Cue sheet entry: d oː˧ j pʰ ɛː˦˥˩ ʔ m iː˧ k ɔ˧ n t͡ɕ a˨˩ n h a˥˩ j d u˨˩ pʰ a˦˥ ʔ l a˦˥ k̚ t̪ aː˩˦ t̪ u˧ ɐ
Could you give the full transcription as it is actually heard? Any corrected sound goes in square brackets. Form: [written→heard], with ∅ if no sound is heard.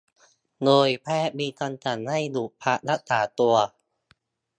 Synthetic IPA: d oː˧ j pʰ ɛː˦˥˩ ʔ m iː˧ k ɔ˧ n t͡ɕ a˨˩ n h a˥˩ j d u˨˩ pʰ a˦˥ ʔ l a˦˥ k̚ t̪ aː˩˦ t̪ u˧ ɐ

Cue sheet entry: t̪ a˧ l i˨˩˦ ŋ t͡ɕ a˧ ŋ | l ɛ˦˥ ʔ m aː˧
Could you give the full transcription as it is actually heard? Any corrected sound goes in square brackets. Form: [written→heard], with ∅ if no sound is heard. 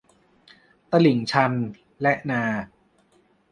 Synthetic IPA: t̪ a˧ l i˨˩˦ ŋ [t͡ɕ→t͡ɕʰ] a˧ [ŋ→n] | l ɛ˦˥ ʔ [m→n] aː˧

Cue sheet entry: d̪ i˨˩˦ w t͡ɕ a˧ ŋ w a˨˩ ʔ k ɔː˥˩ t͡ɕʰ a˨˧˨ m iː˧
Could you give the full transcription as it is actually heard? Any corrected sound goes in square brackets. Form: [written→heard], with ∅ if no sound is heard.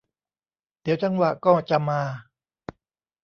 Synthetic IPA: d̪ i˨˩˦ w t͡ɕ a˧ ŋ w a˨˩ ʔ k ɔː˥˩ [t͡ɕʰ→t͡ɕ] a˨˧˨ m [iː˧→aː˧]

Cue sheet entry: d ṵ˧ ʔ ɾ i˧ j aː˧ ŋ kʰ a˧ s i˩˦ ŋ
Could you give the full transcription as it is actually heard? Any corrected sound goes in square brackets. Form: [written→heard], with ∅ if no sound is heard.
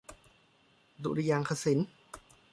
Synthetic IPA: d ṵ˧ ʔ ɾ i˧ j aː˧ ŋ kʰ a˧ s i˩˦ [ŋ→n]

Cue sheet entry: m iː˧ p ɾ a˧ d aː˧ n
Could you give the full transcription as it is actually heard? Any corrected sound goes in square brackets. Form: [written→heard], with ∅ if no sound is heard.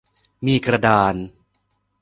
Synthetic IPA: m iː˧ [p→k] ɾ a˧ d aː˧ n

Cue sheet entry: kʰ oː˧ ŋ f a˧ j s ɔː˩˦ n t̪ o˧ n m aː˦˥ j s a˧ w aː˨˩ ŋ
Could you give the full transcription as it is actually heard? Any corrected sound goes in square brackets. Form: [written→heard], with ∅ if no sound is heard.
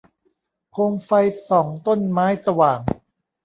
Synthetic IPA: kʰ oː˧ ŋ f a˧ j s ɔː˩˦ [n→ŋ] t̪ [o˧→o˥˩] n m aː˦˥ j s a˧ w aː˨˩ ŋ

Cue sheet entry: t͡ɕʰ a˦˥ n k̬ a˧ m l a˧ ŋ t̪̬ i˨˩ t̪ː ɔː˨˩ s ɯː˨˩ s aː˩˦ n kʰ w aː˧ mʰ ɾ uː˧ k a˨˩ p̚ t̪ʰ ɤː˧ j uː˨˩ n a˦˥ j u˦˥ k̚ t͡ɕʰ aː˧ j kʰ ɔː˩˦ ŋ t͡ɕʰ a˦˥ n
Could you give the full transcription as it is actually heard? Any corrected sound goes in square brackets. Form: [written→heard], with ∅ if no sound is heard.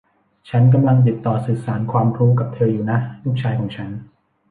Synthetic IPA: t͡ɕʰ a˦˥ n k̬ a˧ m l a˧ ŋ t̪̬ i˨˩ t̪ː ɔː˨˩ s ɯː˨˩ s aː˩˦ n kʰ w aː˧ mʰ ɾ [uː˧→uː˦˥] k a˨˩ p̚ t̪ʰ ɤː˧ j uː˨˩ n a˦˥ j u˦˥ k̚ t͡ɕʰ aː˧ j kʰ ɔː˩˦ ŋ t͡ɕʰ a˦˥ n

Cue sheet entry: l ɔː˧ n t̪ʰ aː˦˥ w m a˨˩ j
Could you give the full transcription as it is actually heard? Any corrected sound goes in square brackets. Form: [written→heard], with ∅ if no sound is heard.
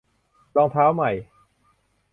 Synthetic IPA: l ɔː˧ [n→ŋ] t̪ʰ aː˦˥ w m a˨˩ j

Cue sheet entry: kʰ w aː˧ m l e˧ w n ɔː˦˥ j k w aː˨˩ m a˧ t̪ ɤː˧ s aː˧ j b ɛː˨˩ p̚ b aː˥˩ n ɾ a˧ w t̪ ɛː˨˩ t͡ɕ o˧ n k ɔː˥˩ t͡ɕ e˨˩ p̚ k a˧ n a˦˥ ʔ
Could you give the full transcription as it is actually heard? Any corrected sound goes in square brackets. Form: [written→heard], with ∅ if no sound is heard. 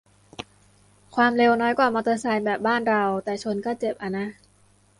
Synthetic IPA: kʰ w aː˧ m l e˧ w n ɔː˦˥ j k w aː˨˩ m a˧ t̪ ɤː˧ s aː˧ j b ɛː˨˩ p̚ b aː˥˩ n ɾ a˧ w t̪ ɛː˨˩ [t͡ɕ→t͡ɕʰ] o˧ n k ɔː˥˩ t͡ɕ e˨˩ p̚ [k→ʔ] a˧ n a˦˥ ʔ

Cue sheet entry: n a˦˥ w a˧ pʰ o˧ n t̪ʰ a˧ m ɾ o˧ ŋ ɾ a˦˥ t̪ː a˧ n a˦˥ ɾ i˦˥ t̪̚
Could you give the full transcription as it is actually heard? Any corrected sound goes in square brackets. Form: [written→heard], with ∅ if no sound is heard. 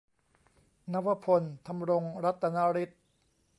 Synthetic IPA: n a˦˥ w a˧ pʰ o˧ n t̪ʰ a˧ m ɾ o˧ ŋ ɾ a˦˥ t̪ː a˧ n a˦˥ ɾ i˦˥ t̪̚

